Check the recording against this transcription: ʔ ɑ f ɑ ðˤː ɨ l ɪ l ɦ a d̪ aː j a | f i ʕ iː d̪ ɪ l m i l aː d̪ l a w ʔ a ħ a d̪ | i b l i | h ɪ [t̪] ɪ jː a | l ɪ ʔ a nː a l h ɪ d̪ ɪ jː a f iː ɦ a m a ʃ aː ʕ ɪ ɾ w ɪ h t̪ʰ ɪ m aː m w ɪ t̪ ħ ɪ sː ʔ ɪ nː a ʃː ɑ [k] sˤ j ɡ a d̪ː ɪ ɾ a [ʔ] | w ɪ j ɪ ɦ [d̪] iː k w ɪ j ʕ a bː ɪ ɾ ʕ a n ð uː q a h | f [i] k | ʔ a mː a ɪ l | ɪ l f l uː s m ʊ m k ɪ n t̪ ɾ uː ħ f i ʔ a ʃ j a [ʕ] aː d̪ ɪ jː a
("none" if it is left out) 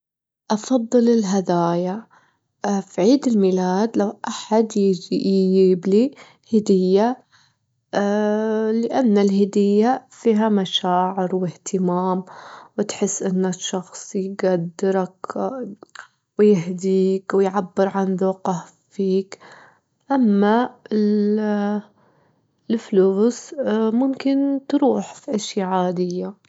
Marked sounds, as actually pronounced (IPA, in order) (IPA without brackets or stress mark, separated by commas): d̪, x, k, d̪, iː, ʕ